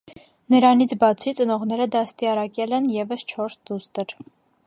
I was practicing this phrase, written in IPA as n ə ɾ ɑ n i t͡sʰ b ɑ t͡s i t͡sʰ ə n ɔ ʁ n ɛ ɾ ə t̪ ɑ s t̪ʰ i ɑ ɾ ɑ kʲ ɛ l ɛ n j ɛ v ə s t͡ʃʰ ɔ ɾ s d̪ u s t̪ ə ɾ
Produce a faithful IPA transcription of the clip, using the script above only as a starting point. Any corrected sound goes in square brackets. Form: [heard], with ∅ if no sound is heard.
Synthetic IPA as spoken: n ə ɾ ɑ n i t͡sʰ b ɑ [t͡sʰ] i [t͡s] ə n ɔ ʁ n ɛ ɾ ə [d̪] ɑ s [t̪] i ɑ ɾ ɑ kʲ ɛ l ɛ n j ɛ v ə s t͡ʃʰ ɔ ɾ s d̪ u s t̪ ə ɾ